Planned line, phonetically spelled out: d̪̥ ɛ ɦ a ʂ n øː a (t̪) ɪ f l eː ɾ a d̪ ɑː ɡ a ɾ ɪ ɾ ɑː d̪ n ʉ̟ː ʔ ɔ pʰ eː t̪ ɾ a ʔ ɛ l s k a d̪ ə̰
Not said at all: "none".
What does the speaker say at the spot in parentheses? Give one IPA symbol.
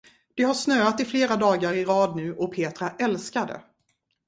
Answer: t̪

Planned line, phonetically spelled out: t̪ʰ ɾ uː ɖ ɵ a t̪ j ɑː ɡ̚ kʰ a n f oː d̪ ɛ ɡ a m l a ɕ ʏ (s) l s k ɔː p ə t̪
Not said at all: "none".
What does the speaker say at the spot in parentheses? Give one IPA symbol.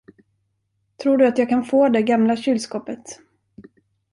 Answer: none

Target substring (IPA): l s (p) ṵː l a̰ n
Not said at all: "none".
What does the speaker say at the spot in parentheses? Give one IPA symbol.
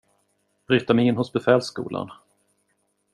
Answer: k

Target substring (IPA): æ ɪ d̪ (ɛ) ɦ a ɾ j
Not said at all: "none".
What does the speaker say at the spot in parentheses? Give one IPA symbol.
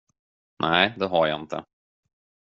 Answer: ɛ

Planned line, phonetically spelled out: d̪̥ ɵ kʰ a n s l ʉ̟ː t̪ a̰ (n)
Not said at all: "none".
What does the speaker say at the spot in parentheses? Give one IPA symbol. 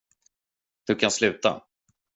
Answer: none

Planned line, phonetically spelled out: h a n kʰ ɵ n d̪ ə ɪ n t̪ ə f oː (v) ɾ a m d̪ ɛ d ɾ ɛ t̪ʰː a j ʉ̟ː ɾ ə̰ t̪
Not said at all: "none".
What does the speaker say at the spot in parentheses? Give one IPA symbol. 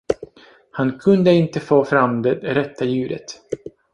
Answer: f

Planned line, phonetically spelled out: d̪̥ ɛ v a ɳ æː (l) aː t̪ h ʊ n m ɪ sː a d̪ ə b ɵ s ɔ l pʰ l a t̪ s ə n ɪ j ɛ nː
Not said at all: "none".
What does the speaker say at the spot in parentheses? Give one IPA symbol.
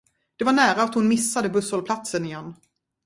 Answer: ɾ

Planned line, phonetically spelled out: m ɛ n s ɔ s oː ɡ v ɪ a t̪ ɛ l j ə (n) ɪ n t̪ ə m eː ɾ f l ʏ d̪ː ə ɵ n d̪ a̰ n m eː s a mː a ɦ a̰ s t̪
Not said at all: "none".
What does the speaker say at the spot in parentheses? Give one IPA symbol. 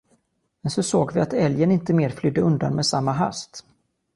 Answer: n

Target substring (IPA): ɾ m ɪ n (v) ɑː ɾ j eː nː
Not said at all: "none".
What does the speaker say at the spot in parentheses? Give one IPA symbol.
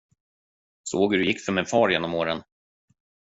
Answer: f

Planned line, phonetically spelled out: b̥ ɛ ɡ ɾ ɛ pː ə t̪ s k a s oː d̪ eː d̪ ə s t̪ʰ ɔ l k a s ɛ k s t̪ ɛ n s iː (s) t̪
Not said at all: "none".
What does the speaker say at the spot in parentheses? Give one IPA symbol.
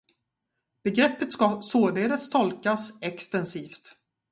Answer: f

